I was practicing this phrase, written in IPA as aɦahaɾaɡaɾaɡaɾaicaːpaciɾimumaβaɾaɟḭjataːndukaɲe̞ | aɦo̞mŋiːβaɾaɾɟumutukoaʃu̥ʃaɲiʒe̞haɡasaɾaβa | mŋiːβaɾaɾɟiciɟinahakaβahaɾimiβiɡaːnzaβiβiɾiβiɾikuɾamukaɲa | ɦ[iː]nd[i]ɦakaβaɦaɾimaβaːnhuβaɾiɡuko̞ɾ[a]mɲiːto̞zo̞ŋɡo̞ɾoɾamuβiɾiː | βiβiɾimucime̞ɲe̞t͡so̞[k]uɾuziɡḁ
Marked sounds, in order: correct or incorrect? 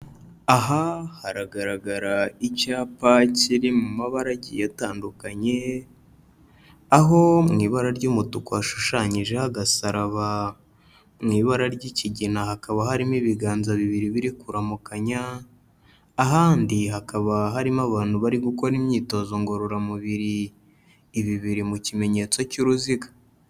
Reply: incorrect: aː, correct, incorrect: i, incorrect: c

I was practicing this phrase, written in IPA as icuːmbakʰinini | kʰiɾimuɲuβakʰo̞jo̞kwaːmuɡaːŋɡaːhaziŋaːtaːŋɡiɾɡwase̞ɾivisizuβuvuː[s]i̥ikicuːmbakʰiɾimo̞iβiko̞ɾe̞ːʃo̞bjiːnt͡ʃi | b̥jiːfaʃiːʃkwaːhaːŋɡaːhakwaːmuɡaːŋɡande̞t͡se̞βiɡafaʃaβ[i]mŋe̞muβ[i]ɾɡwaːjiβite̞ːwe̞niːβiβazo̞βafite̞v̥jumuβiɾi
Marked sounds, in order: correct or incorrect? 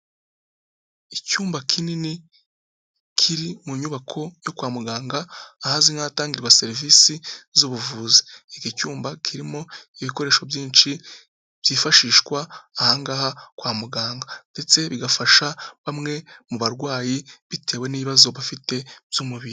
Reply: incorrect: z, incorrect: a, incorrect: a

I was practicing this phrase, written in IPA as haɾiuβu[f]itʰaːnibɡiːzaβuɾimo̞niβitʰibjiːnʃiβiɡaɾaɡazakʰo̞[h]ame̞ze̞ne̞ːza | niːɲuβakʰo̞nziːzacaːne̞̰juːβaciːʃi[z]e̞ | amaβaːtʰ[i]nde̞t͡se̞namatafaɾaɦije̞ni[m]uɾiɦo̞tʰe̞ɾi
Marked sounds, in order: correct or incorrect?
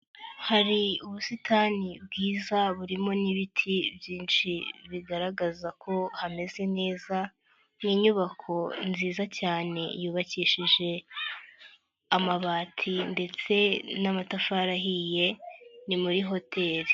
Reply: incorrect: s, correct, incorrect: ʒ, correct, correct

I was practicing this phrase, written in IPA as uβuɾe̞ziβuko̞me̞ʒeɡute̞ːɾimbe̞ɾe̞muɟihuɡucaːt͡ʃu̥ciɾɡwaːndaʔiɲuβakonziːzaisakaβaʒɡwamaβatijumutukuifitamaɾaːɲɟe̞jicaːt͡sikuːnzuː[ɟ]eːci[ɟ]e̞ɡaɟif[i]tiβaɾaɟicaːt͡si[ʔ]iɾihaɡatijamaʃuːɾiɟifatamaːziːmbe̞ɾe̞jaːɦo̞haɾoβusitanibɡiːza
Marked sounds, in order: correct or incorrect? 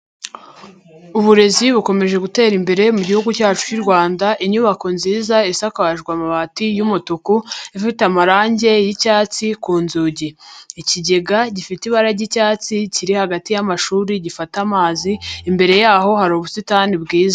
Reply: correct, correct, correct, incorrect: c

